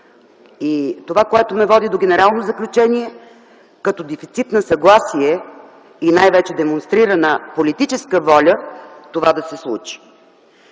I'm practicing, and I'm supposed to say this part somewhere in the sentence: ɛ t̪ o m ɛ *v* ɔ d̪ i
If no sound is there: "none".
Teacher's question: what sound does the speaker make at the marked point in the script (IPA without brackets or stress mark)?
v